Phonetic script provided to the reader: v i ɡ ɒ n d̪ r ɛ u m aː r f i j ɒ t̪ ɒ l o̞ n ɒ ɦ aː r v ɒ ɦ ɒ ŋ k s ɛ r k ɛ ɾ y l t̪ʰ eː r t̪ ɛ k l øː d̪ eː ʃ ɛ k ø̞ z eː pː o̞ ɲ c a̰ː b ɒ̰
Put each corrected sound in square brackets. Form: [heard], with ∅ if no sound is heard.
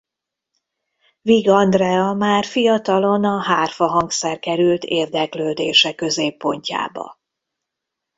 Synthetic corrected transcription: v i ɡ ɒ n d̪ r ɛ [ɒ] m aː r f i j ɒ t̪ ɒ l o̞ n ɒ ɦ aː r [f] ɒ ɦ ɒ ŋ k s ɛ r k ɛ ɾ y l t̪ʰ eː r [d̪] ɛ k l øː d̪ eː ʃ ɛ k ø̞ z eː pː o̞ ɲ c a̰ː b ɒ̰